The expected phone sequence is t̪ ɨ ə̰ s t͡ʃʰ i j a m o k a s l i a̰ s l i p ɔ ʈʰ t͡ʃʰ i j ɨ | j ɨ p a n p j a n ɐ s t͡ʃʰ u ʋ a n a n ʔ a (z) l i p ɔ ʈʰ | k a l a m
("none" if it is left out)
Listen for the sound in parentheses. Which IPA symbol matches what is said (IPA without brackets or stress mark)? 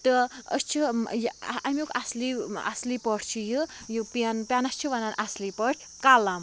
s